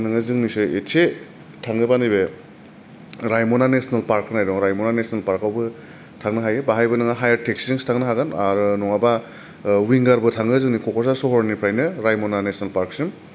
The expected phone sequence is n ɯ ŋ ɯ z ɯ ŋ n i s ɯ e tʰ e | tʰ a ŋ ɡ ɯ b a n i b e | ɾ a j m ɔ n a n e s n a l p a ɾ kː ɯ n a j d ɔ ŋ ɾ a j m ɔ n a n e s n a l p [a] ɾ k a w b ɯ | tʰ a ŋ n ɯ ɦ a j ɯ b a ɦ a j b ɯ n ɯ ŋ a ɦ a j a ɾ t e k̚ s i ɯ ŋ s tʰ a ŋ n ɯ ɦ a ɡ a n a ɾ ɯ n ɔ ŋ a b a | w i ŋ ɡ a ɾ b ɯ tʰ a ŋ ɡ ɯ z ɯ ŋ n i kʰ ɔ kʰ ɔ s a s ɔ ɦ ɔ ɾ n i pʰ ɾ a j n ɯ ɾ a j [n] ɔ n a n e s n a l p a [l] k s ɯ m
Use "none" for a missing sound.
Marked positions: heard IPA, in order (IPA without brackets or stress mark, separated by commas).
a, m, ɾ